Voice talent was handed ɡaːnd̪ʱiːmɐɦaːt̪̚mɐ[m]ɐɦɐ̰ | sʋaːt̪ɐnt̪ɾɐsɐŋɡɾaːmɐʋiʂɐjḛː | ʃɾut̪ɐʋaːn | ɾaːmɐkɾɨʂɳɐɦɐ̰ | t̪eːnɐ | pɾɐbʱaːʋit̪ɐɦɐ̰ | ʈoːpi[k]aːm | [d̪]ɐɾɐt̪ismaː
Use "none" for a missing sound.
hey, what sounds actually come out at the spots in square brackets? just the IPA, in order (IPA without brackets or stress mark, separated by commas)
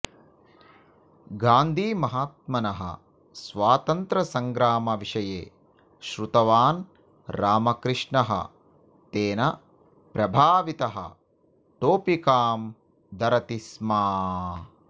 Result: n, k, d̪